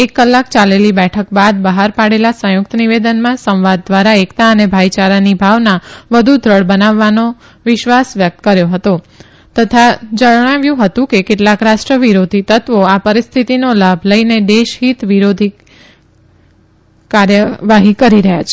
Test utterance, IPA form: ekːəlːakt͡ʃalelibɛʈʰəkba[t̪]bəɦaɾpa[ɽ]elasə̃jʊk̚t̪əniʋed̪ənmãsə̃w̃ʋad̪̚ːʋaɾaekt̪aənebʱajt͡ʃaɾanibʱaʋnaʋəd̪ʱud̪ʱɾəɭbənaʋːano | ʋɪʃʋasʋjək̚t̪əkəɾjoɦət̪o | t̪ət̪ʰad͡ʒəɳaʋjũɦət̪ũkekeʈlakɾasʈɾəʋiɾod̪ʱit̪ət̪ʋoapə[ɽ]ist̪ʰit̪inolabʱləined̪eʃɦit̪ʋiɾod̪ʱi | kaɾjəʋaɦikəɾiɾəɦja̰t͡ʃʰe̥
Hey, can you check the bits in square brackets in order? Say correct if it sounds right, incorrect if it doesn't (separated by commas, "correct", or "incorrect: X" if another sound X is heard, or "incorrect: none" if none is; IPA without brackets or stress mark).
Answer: incorrect: d̪, correct, incorrect: ɾ